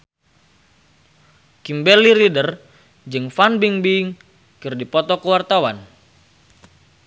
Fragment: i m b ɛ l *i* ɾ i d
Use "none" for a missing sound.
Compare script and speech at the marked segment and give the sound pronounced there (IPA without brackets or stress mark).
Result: i